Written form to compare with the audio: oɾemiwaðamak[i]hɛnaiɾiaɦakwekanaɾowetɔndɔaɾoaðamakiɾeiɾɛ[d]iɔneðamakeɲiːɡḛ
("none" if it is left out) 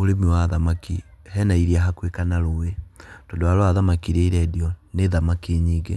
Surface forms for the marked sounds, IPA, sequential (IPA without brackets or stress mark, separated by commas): i, d